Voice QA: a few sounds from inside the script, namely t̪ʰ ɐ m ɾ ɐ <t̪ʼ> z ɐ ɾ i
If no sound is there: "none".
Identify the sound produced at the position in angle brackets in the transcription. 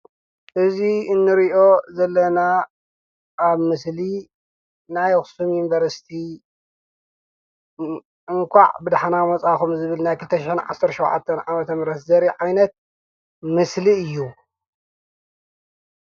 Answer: t̪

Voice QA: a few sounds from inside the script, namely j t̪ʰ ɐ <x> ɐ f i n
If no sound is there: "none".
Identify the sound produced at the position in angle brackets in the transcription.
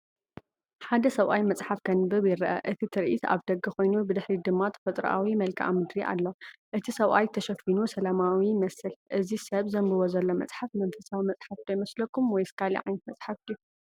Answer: ʃ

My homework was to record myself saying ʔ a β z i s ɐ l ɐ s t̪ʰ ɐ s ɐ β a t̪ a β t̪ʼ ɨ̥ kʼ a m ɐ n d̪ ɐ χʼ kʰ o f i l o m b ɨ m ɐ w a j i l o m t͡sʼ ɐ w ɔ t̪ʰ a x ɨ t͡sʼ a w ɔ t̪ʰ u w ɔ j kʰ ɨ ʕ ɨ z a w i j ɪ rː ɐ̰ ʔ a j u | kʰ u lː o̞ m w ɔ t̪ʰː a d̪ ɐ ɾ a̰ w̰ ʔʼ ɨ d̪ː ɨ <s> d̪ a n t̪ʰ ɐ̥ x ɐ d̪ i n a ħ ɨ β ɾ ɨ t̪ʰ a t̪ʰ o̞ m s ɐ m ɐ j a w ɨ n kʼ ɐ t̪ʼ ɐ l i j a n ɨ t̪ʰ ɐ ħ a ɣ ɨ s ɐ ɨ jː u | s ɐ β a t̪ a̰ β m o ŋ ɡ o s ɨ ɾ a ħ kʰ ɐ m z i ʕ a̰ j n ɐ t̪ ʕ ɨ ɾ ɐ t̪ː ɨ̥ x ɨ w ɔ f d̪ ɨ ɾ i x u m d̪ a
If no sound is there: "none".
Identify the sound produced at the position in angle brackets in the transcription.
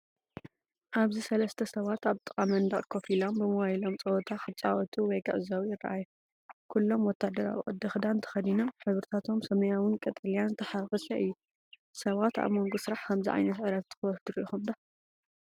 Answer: x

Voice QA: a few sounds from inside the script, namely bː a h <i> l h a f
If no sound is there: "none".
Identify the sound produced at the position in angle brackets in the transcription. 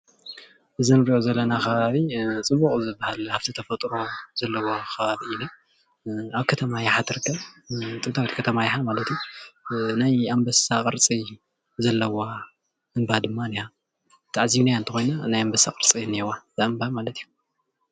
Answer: a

